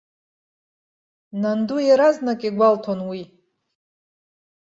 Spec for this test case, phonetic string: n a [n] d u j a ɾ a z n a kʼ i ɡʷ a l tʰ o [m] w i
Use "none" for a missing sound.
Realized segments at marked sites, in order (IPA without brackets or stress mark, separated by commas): n, n